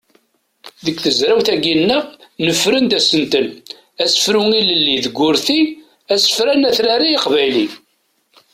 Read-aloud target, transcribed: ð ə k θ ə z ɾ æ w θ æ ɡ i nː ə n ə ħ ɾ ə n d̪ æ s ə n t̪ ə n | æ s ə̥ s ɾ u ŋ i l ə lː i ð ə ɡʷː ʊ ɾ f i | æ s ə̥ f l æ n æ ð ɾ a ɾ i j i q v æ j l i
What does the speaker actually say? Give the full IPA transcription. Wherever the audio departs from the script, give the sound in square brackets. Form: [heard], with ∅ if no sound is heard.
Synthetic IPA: ð ə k θ ə z ɾ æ w θ æ ɡ i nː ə n ə [f] ɾ ə n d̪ æ s ə n t̪ ə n | æ s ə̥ [f] ɾ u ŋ i l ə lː i ð ə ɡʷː ʊ ɾ [θ] i | æ s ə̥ f [ɾ] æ n æ [θ] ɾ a ɾ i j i q v æ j l i